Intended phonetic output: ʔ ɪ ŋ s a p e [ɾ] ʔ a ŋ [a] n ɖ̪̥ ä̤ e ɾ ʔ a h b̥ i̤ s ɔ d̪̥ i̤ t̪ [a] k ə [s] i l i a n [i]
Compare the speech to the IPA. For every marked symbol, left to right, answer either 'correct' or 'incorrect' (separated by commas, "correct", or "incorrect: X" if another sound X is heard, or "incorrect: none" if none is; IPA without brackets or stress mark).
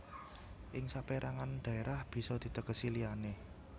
correct, correct, incorrect: ə, correct, incorrect: e